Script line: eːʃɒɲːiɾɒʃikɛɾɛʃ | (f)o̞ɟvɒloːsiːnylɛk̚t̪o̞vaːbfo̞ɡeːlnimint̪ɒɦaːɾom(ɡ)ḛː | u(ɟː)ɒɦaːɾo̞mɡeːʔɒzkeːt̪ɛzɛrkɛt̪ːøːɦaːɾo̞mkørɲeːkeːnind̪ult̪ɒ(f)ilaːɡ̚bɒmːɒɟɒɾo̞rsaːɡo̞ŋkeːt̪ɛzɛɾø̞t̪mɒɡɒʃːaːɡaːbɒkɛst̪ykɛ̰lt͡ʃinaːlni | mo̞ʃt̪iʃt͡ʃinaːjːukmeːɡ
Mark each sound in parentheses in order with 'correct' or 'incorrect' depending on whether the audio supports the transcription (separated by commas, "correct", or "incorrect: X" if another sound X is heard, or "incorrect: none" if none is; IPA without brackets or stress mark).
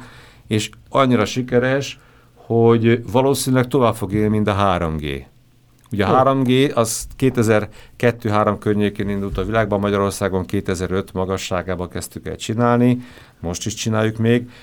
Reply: incorrect: h, correct, incorrect: ɟ, incorrect: v